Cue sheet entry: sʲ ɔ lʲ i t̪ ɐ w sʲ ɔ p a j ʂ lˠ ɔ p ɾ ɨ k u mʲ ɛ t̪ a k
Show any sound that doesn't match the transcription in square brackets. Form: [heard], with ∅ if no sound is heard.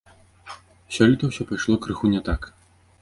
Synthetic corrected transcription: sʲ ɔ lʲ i t̪ ɐ w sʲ ɔ p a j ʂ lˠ ɔ [k] ɾ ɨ [x] u [nʲ] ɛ t̪ a k